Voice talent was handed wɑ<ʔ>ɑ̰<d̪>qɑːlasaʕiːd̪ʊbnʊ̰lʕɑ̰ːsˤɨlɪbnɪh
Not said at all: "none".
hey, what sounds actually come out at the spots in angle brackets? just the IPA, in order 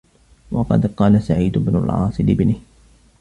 q, d̪

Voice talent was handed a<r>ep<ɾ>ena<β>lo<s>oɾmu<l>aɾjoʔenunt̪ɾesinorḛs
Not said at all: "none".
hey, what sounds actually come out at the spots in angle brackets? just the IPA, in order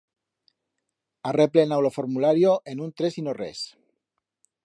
r, l, w, f, l

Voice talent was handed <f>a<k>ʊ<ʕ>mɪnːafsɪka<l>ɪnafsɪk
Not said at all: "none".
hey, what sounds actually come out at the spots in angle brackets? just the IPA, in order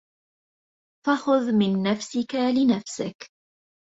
f, x, ð, l

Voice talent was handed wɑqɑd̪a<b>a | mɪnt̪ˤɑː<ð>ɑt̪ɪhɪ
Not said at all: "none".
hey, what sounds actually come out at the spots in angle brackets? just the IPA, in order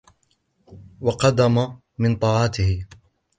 m, ʕ

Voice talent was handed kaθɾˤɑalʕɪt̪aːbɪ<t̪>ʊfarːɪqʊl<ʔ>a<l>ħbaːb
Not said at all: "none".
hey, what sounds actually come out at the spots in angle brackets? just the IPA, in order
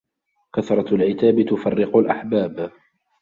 t̪, ʔ, none

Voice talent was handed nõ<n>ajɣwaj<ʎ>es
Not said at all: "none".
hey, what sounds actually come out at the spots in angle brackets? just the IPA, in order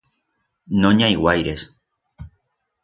ɲ, ɾ

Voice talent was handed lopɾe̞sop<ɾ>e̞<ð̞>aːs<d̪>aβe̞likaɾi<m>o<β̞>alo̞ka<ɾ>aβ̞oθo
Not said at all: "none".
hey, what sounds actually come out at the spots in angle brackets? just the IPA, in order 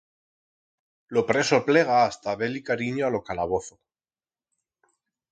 l, ɣ̞, t̪, ɲ, none, l

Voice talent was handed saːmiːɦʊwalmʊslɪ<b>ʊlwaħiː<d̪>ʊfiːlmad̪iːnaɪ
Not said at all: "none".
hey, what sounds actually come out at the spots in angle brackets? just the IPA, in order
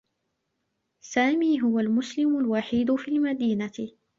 m, d̪

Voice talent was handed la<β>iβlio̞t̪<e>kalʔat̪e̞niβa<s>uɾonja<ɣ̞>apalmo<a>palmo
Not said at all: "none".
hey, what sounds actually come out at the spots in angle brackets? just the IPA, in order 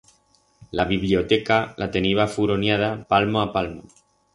β, e, f, ð̞, a

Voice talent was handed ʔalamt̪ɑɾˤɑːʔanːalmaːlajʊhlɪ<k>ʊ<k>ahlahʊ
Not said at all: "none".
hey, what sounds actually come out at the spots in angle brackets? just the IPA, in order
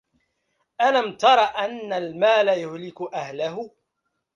k, ʔ

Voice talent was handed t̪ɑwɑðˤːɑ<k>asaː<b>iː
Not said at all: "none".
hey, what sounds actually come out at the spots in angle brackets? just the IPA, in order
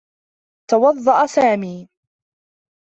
ʔ, m

